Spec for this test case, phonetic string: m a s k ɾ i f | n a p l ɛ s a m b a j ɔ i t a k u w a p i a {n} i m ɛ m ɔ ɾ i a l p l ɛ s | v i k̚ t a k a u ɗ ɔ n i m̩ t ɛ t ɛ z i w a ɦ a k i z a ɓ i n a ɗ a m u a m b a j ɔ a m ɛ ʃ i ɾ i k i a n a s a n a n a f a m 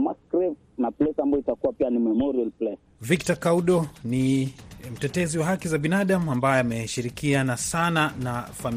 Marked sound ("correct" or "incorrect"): correct